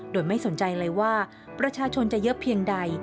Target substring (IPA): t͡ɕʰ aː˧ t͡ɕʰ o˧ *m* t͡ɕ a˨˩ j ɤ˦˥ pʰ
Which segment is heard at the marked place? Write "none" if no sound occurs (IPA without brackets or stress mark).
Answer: n